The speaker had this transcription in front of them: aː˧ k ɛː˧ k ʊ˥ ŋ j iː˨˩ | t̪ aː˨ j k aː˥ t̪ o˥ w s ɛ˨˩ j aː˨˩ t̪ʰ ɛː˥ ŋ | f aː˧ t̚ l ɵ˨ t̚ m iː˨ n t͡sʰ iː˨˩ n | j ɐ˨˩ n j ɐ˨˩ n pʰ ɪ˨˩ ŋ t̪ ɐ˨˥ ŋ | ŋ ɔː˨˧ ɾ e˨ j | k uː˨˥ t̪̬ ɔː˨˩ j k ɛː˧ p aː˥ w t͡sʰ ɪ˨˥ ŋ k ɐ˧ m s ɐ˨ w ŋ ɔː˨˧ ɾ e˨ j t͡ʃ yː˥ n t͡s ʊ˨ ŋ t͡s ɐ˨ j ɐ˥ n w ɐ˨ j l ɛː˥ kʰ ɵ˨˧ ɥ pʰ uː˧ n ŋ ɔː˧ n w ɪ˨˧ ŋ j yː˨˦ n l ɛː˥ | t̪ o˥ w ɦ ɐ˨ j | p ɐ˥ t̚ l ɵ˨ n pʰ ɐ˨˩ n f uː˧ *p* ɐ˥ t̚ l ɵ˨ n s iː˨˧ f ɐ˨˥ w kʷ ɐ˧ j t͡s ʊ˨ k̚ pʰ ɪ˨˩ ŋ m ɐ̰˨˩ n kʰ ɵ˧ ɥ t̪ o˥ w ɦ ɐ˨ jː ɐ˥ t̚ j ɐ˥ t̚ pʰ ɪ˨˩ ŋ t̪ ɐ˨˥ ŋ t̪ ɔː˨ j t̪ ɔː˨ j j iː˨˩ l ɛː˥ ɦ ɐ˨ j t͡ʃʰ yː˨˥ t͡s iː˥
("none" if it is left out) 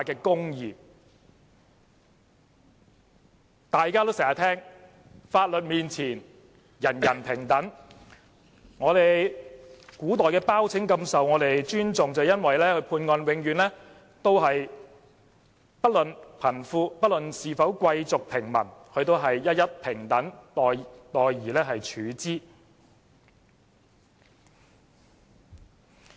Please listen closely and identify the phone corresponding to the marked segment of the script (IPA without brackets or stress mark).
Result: p